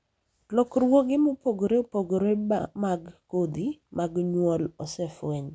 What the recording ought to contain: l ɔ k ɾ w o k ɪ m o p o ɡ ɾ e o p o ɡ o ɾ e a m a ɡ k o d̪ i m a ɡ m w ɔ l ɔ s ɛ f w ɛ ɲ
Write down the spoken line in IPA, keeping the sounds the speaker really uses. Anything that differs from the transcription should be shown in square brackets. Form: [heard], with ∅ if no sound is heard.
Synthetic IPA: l ɔ k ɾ w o [ɡ] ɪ m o p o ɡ ɾ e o p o ɡ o ɾ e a m a ɡ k o d̪ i m a ɡ [ɲ] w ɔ l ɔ s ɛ f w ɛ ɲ